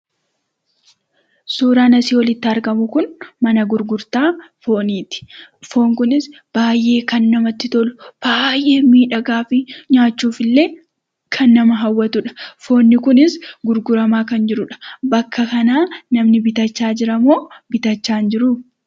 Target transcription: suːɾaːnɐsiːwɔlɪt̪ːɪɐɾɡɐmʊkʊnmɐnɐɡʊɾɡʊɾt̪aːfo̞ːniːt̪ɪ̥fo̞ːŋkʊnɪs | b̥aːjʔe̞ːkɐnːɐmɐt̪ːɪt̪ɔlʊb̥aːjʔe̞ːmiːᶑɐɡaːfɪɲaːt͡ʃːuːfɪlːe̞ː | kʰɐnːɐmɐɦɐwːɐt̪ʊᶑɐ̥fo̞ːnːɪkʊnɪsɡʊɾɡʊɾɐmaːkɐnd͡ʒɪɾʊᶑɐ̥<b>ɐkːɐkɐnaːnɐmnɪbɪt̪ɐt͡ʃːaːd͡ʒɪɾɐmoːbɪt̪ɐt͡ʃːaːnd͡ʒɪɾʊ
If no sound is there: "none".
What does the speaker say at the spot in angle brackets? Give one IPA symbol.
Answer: b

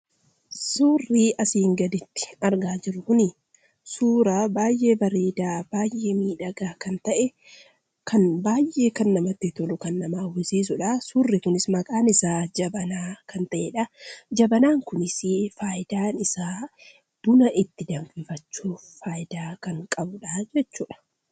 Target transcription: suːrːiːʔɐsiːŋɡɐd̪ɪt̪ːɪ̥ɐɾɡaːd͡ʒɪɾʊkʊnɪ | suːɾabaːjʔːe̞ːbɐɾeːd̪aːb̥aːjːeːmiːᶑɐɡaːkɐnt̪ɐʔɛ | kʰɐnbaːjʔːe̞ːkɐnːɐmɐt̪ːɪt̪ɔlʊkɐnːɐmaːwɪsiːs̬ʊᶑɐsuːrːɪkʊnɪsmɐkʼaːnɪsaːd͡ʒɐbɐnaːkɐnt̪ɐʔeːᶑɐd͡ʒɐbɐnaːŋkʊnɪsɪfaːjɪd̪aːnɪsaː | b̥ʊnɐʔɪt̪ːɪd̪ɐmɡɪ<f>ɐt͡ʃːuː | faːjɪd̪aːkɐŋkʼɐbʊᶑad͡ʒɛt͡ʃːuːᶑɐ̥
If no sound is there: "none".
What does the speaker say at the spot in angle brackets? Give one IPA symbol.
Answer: f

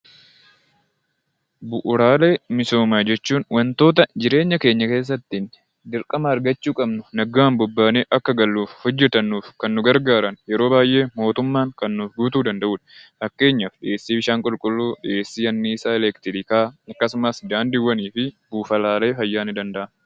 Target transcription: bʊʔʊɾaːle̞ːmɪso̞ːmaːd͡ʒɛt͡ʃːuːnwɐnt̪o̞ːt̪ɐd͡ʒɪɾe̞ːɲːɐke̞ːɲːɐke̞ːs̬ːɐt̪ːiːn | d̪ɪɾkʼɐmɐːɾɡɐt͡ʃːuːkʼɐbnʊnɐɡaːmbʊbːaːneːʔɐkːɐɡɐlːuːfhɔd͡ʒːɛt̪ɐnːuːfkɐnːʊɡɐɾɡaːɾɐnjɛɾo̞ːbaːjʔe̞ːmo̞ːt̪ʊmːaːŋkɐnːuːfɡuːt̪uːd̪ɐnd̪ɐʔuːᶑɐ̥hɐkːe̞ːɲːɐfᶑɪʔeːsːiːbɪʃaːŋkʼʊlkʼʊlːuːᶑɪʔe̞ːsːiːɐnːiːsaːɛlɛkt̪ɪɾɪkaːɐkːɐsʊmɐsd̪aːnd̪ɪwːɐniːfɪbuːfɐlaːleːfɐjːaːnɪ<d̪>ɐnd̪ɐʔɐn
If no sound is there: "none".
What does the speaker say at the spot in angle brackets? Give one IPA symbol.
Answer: d̪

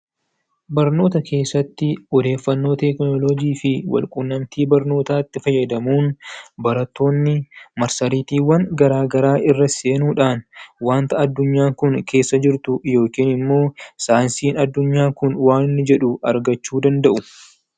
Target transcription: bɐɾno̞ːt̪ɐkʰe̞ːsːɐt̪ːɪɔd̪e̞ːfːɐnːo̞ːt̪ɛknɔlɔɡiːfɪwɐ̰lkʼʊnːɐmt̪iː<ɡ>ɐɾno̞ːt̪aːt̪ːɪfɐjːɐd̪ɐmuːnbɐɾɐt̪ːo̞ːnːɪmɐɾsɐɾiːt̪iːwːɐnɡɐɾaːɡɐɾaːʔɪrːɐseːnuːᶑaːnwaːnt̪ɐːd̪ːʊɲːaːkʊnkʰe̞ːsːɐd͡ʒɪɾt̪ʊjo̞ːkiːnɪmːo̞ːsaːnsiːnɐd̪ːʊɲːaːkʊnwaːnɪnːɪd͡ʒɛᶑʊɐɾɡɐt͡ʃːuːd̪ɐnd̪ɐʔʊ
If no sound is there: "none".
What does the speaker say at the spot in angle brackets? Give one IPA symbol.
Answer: b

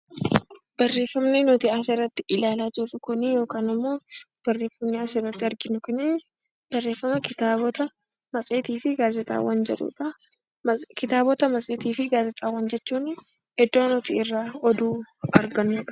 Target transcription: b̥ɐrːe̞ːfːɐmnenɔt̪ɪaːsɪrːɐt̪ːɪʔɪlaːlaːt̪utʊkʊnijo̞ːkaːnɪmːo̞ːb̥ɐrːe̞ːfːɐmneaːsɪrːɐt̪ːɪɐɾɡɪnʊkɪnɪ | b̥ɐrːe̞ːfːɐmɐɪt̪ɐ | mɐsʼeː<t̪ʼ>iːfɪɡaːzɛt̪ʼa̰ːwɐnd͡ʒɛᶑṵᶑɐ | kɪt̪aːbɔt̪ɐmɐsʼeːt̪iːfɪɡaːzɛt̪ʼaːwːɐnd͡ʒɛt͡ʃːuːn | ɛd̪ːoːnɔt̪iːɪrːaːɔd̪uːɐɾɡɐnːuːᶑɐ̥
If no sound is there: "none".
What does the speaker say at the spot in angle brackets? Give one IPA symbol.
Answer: t̪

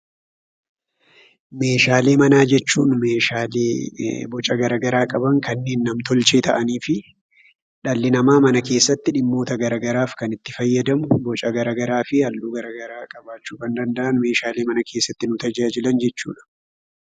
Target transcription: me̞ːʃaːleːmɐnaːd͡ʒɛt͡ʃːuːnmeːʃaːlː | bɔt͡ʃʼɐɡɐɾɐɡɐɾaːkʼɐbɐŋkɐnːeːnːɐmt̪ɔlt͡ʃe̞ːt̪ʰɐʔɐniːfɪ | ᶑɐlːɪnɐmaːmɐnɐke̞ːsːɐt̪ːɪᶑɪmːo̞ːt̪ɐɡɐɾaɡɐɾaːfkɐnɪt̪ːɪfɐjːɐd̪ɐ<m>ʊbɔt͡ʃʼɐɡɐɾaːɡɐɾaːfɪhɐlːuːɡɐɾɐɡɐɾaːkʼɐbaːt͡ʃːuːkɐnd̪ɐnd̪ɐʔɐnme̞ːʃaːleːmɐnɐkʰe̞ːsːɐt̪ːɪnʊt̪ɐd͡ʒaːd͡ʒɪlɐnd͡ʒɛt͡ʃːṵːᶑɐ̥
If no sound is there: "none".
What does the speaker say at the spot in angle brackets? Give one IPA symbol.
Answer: m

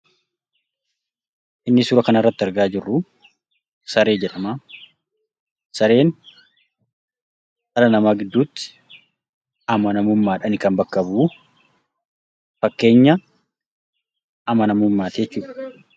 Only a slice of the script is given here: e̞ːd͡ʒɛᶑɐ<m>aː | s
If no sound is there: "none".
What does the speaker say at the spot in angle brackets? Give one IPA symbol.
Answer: m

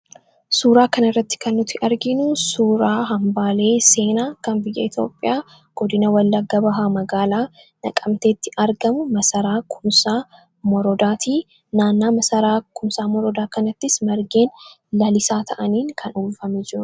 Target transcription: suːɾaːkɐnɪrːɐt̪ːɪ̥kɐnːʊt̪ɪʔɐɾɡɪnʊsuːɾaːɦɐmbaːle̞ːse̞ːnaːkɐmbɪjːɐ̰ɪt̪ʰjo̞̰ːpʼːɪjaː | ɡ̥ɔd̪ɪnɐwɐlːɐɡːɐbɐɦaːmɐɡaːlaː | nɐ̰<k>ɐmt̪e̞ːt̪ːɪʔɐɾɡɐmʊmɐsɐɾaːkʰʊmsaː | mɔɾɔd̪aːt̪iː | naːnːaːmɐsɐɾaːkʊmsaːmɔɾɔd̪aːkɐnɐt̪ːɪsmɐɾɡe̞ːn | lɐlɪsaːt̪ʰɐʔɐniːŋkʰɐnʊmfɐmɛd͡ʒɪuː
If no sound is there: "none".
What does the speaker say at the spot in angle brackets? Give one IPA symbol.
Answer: kʼ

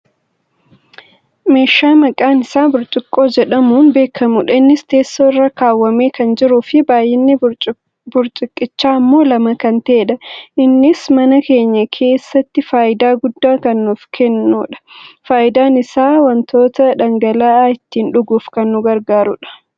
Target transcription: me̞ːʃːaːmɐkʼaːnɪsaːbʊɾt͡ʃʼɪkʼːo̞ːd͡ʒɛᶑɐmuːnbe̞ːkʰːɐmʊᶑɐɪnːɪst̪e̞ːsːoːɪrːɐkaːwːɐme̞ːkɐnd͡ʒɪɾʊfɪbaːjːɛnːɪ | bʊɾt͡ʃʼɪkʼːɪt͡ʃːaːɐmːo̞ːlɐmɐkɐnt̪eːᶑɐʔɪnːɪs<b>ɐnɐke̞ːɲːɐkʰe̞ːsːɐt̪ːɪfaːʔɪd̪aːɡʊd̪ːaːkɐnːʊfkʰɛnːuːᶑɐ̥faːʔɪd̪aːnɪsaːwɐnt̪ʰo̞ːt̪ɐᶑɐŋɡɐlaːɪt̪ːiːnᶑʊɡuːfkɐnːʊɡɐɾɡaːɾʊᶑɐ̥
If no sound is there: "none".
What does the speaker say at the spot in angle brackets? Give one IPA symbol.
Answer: m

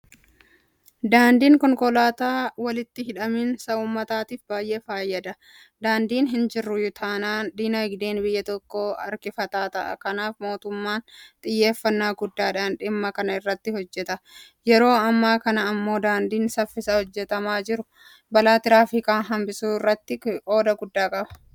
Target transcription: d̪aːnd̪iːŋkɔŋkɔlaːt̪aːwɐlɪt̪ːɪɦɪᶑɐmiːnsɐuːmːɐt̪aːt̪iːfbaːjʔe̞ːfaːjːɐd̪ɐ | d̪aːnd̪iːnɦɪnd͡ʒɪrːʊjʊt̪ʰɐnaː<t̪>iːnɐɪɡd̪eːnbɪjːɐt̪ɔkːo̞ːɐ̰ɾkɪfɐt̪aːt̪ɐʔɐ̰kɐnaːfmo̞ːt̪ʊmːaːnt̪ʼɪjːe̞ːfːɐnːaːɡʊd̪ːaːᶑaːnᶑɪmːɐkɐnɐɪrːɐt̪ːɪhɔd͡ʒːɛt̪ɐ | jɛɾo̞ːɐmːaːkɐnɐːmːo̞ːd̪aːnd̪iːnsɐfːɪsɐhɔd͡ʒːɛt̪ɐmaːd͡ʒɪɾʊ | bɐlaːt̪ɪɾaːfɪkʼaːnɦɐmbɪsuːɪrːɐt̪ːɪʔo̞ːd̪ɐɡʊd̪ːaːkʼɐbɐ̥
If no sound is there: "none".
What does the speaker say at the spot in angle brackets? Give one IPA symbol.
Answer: d̪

